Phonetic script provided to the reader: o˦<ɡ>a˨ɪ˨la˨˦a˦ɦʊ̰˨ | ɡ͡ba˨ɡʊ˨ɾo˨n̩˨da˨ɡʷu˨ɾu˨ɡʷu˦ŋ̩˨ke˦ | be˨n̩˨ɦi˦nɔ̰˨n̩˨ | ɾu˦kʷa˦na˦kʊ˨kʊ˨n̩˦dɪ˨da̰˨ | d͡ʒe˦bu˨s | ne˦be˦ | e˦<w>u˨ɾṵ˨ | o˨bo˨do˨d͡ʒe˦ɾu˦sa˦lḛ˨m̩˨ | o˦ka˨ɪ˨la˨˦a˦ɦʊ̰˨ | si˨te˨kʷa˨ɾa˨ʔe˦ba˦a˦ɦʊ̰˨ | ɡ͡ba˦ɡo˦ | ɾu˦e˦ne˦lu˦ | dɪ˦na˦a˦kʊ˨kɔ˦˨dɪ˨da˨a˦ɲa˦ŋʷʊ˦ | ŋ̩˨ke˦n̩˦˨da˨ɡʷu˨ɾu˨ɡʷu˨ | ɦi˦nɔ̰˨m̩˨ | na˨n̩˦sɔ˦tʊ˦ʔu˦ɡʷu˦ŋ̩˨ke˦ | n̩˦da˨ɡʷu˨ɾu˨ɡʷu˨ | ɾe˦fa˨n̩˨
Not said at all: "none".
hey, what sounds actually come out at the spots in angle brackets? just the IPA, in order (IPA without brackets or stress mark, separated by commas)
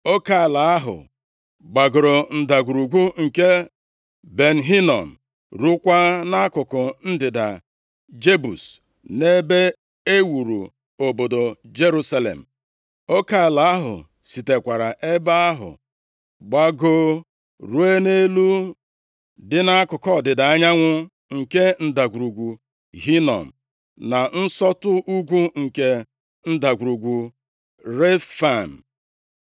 k, w